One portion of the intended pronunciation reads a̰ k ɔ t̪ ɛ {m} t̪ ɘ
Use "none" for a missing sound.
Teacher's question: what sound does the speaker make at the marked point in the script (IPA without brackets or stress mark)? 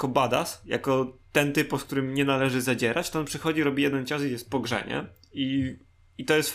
n